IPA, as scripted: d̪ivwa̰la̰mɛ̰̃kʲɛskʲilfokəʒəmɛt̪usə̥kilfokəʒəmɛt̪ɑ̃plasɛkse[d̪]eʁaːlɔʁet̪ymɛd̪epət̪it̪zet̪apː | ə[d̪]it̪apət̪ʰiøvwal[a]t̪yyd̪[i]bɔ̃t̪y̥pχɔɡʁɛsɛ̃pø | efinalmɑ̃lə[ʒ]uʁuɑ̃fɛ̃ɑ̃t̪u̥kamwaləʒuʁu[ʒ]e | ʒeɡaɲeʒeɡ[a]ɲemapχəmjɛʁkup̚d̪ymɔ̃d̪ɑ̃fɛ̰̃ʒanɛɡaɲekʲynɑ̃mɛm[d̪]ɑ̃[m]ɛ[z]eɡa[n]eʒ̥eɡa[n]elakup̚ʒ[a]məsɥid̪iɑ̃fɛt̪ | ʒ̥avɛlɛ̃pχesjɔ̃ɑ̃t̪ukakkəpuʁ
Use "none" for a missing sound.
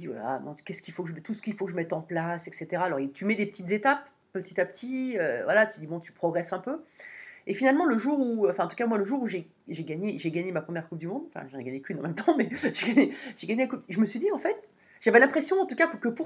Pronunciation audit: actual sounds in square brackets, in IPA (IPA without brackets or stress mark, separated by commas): t̪, t̪, a, i, ʒ, ʒ, a, t̪, m, ʒ, ɲ, ɲ, ə